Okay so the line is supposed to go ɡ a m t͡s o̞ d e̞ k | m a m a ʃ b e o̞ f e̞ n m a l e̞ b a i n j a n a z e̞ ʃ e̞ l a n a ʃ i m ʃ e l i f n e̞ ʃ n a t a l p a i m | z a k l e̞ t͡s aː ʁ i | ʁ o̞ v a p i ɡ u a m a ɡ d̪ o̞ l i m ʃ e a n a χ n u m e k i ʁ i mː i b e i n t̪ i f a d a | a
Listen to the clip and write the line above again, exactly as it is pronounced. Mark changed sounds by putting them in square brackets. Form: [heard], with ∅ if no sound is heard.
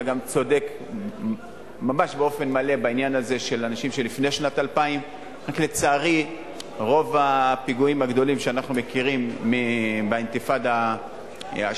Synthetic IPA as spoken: ɡ a m t͡s o̞ d e̞ k | m a m a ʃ b e o̞ f e̞ n m a l e̞ b a i n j a n a z e̞ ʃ e̞ l a n a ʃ i m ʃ e l i f n e̞ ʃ n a t a l p a i m | [ʁ] a k l e̞ t͡s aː ʁ i | ʁ o̞ v a p i ɡ u [i] m a ɡ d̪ o̞ l i m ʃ e a n a χ n u m e k i ʁ i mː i b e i n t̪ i f a d a | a